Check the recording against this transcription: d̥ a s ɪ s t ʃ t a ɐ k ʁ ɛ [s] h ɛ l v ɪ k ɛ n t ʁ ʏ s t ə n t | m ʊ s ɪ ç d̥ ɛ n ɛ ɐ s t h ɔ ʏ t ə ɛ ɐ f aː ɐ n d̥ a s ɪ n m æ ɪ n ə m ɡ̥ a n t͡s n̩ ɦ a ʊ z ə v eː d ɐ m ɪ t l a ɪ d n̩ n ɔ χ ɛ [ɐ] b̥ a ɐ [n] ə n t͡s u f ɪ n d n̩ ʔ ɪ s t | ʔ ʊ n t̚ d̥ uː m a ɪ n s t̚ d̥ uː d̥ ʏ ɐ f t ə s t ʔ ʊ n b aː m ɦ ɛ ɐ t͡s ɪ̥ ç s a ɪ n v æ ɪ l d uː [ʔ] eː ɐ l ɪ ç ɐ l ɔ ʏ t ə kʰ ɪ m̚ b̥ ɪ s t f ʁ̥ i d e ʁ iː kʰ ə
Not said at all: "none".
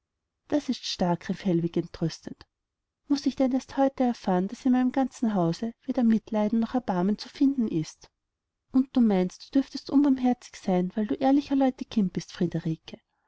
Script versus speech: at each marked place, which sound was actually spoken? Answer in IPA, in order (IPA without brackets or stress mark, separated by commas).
f, ɐ, m, ʔ